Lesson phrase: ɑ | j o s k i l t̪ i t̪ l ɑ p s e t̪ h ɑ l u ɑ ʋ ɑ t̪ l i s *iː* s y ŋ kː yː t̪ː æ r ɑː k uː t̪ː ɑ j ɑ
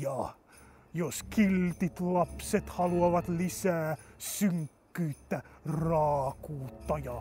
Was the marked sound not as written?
yes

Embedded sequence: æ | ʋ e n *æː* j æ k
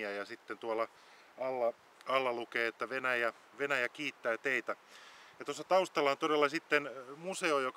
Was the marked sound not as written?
yes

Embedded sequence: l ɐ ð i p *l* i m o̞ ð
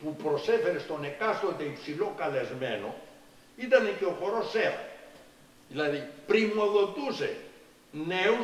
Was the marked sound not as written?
yes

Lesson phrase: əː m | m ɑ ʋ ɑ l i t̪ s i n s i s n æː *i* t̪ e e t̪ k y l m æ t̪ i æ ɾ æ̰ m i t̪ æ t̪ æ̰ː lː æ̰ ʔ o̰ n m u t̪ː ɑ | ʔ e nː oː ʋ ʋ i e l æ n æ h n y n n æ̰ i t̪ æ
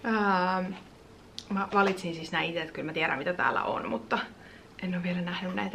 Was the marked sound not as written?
no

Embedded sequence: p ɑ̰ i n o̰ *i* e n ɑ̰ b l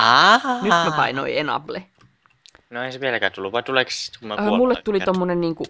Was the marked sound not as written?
no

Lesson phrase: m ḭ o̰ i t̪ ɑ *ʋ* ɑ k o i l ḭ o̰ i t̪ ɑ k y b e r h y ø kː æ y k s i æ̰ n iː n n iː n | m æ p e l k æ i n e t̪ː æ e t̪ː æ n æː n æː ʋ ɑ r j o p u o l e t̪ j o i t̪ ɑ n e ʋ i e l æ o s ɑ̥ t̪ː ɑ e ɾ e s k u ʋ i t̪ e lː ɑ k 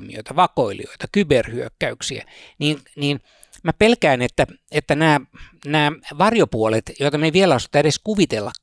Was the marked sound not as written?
no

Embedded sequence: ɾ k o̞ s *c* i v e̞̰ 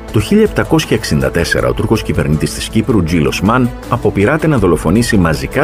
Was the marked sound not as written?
no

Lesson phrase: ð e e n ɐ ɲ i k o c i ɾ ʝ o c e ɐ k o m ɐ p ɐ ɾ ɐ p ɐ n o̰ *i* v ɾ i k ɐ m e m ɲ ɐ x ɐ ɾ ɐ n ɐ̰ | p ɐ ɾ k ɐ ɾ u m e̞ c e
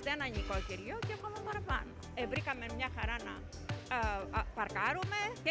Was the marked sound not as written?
yes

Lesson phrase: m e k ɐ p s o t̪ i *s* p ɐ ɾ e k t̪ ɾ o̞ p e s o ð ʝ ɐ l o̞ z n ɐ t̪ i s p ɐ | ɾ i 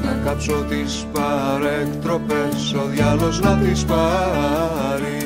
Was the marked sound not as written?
no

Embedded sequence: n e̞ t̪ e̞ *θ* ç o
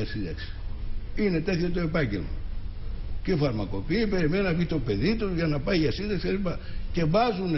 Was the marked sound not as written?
no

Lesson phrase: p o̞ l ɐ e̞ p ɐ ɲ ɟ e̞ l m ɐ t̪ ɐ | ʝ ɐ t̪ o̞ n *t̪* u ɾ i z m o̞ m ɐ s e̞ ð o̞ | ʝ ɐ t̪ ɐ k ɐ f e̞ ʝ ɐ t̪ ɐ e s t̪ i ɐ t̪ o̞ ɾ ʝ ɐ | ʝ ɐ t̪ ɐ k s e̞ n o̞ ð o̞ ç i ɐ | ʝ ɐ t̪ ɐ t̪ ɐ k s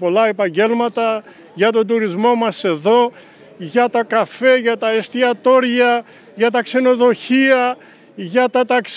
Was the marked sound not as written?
yes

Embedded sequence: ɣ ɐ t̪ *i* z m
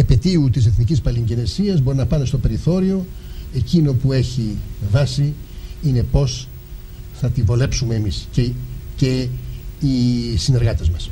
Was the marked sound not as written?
yes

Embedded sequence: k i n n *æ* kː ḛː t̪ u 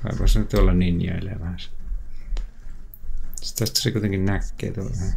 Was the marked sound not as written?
no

